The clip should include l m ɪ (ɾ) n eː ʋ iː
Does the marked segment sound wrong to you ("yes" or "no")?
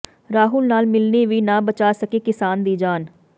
yes